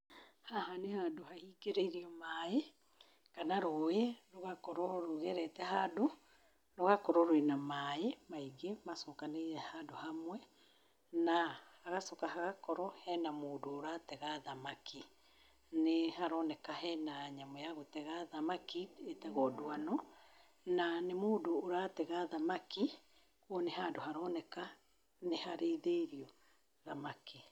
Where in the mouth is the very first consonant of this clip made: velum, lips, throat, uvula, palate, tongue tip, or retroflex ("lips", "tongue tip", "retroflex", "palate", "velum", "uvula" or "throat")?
throat